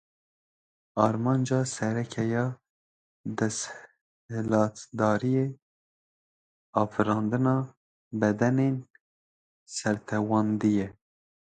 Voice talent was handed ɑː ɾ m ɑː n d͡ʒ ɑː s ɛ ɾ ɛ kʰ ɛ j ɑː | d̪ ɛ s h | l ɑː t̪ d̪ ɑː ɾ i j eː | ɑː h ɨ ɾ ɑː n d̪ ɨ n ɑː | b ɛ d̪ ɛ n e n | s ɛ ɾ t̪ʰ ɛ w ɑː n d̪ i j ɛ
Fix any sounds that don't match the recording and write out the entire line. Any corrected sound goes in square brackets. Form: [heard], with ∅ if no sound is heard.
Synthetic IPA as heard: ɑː ɾ m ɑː n d͡ʒ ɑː s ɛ ɾ ɛ kʰ ɛ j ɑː | d̪ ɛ s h | l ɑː t̪ d̪ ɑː ɾ i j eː | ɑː [f] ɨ ɾ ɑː n d̪ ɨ n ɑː | b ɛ d̪ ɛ n e n | s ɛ ɾ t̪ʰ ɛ w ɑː n d̪ i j ɛ